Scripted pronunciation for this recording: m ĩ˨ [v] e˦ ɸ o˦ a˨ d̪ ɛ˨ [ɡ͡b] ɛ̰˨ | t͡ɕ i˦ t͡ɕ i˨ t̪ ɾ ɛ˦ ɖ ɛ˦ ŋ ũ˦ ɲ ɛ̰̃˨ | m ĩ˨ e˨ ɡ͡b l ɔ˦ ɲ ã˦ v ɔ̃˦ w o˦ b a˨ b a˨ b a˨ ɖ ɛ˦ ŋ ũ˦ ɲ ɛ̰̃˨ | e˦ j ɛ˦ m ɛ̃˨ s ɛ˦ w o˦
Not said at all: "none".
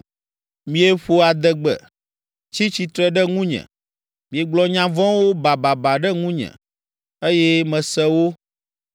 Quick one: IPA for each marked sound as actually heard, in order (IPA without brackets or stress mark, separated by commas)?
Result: none, ɡ͡b